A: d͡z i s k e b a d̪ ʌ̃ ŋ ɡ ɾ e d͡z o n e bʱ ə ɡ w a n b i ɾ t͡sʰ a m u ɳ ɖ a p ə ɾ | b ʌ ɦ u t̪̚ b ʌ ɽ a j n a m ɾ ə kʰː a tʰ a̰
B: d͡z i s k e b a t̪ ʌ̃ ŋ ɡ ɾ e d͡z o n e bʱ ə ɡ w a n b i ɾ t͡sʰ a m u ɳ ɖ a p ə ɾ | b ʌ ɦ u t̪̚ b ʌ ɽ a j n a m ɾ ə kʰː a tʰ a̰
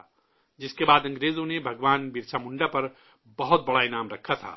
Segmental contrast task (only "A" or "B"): A